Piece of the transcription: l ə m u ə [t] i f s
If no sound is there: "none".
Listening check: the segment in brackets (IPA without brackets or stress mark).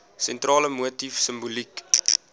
t